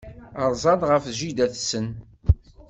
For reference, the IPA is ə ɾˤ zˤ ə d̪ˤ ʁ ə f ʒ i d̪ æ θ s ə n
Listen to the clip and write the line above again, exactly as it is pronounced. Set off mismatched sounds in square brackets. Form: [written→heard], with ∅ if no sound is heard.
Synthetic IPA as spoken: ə ɾˤ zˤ [ə→ɑ] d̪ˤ ʁ ə f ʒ i d̪ æ θ s ə n